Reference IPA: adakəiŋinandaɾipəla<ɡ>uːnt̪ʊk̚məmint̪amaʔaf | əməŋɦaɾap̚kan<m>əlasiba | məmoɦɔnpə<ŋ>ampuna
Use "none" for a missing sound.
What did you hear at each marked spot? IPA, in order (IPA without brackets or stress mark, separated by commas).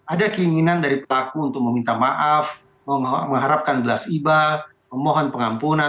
k, b, ŋ